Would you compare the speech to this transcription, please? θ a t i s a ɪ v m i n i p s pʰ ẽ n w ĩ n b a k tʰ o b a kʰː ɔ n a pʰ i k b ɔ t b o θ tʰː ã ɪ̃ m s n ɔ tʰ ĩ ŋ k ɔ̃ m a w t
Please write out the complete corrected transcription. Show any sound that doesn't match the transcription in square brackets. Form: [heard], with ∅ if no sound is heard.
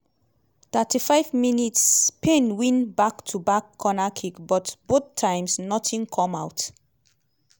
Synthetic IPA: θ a t i [f] a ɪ v m i n i [t] s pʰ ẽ n w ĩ n b a k tʰ [u] b a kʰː ɔ n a [kʰ] i k b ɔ t b o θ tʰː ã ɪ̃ m s n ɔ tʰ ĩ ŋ [kʰ] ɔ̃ m a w t

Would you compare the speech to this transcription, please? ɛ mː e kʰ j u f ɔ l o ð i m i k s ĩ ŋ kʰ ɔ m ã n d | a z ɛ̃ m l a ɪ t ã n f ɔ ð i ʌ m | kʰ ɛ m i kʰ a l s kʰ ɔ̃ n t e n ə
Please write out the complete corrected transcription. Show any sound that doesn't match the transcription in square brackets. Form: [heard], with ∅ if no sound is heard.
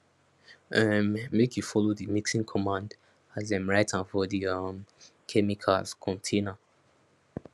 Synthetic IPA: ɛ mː e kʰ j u f ɔ l o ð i m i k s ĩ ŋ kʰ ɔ m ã n d | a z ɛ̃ m [ɹ] a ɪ t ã n f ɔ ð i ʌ m | kʰ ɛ m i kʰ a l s kʰ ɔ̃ n [tʰ] e n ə

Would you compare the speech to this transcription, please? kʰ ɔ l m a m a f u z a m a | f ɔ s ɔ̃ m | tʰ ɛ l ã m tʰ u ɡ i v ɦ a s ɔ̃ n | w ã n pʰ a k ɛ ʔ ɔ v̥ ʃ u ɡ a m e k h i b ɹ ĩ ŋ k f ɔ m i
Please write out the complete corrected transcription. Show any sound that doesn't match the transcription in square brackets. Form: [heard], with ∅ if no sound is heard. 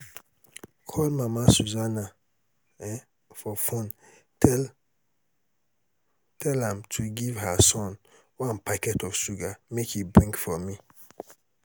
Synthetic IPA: kʰ ɔ l m a m a [s] u z a [n] a | f ɔ [f] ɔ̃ [n] | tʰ ɛ l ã m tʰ u ɡ i v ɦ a s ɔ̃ n | w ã n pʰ a k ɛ [t] ɔ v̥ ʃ u ɡ a m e k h i b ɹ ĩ ŋ k f ɔ m i

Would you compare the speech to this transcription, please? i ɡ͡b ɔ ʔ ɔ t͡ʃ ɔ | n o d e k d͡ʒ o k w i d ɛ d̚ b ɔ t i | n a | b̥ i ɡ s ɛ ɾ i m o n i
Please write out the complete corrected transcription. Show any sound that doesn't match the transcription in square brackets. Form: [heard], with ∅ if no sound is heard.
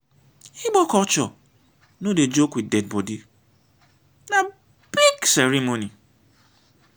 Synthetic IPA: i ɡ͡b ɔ [k] ɔ t͡ʃ ɔ | n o d e [∅] d͡ʒ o k w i d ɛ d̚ b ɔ [d] i | n a | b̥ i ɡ s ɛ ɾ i m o n i

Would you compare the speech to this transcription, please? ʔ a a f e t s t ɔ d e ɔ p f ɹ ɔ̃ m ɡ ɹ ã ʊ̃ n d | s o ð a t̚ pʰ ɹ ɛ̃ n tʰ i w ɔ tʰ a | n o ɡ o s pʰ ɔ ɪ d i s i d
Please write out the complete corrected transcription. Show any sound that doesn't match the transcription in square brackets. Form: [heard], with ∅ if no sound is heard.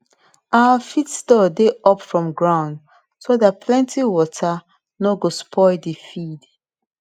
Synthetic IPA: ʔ a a f [i] t s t ɔ d e ɔ p f ɹ ɔ̃ m ɡ ɹ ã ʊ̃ n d | s o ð a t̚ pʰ [l] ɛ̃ n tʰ i w ɔ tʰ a | n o ɡ o s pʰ ɔ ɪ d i [f] i d

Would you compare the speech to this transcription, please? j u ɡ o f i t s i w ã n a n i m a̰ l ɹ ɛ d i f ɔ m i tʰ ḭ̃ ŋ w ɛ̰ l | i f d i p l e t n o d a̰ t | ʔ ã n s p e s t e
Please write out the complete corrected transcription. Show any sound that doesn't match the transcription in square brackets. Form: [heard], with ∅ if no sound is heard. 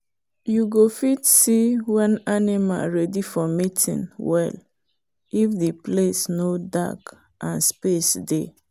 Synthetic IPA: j u ɡ o f i t s i w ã n a n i m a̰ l ɹ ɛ d i f ɔ m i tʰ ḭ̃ [n] w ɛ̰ l | i f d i p l e [s] n o d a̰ [k] | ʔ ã n s p e s [d] e

